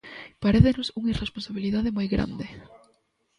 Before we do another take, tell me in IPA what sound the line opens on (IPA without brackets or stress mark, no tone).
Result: p